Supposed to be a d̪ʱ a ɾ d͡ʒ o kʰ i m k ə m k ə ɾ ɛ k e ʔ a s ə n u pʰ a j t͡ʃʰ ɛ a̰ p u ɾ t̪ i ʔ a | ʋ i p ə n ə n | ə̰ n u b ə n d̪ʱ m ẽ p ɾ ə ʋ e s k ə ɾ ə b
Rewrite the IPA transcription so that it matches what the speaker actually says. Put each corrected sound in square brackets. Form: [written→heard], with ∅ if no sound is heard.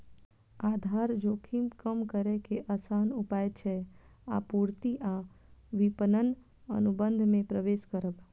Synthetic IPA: a d̪ʱ a ɾ d͡ʒ o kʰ i m k ə m k ə ɾ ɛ k e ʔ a s [ə→a] n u [pʰ→p] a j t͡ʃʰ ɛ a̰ p u ɾ t̪ i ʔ a | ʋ i p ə n ə n | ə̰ n u b ə n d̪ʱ m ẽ p ɾ ə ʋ e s k ə ɾ ə b